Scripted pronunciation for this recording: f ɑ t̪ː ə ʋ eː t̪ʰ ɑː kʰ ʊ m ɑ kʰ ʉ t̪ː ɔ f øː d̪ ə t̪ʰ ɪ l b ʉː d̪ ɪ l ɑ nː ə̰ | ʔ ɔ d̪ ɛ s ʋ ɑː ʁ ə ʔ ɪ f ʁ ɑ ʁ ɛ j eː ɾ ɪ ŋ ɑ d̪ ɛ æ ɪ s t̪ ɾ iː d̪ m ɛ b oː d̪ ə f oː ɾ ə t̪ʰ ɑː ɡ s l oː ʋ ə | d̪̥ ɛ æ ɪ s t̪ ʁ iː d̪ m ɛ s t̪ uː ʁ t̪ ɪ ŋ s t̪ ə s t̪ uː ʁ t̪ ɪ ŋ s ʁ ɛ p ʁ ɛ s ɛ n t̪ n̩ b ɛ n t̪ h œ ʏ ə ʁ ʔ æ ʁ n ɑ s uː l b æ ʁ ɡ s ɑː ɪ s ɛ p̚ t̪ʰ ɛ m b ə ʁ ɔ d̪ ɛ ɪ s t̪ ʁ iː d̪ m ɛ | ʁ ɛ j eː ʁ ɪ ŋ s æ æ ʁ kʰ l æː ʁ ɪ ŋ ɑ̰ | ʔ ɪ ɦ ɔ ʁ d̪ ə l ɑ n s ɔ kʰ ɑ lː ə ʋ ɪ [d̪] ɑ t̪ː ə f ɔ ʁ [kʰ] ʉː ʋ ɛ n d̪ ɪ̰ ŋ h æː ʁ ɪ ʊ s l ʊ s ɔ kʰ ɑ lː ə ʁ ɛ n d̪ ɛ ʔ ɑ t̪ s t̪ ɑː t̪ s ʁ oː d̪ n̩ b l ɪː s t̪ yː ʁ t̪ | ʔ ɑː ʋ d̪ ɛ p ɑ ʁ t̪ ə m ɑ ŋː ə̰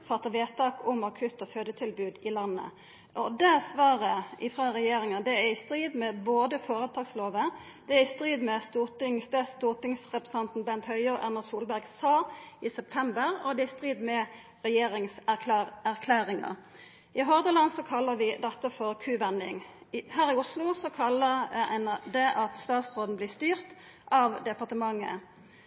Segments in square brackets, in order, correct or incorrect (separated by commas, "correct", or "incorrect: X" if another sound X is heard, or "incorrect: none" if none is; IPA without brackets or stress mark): correct, correct